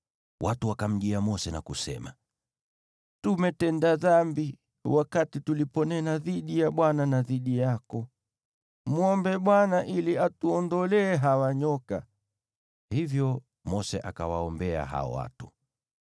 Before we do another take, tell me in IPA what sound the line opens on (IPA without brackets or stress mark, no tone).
w